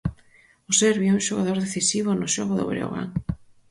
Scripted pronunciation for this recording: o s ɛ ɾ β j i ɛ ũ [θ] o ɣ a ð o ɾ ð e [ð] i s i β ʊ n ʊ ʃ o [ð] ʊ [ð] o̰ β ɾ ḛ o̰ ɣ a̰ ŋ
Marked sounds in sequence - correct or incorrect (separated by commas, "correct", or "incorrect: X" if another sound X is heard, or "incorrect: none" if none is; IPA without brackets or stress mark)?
incorrect: ʃ, incorrect: θ, incorrect: ɣ, correct